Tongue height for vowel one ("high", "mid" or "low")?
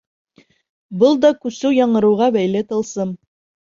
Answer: mid